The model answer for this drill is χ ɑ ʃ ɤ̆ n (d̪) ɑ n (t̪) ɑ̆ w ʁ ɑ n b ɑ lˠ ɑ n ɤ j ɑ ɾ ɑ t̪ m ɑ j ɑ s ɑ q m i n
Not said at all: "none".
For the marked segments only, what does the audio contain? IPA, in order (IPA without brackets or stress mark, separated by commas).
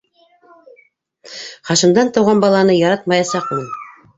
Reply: d̪, t̪